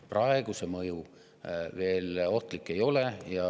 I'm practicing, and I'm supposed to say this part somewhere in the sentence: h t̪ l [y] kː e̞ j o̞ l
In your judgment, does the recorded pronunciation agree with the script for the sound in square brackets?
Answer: no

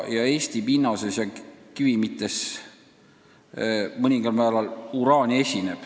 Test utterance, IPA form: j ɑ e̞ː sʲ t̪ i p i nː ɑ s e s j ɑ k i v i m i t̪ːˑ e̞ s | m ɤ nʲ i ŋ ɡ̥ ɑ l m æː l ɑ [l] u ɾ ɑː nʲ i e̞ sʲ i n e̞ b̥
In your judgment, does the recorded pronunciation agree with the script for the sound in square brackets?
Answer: yes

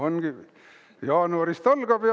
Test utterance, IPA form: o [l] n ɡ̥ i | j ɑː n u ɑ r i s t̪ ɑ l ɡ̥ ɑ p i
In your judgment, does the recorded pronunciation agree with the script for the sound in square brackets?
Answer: no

